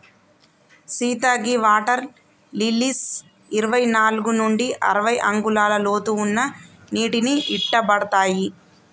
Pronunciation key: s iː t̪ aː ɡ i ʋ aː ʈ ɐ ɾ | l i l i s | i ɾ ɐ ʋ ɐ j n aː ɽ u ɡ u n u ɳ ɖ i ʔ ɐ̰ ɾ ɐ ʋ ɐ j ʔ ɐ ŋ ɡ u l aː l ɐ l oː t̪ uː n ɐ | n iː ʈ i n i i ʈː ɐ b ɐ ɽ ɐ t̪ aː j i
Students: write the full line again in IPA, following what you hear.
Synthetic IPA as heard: s iː t̪ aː ɡ i ʋ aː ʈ ɐ ɾ | l i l i s | i ɾ ɐ ʋ ɐ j n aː l u ɡ u n u ɳ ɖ i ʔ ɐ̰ ɾ ɐ ʋ ɐ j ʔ ɐ ŋ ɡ u l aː l ɐ l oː t̪ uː nː ɐ | n iː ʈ i n i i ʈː ɐ b ɐ ɽ ɐ t̪ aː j i